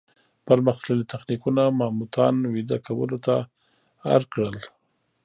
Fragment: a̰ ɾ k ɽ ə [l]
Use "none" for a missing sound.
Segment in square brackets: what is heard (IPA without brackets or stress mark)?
l